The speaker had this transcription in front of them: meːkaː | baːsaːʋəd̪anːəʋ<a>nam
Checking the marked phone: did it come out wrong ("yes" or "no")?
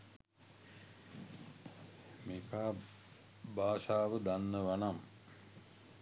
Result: no